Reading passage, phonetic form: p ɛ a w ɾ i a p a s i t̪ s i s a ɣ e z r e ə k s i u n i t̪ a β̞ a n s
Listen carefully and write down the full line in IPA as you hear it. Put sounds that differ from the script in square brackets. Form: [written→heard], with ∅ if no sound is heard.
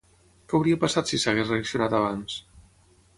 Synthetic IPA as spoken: [p→k] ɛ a w ɾ i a p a s [i→a] t̪ s i s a ɣ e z r e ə k s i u n [i→a] t̪ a β̞ a n s